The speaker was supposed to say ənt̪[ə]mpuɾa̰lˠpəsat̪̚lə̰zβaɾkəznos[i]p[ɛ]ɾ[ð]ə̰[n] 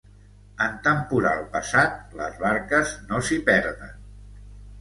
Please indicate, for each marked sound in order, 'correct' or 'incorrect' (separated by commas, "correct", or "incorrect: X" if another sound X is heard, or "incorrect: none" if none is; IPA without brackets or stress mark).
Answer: correct, correct, correct, correct, correct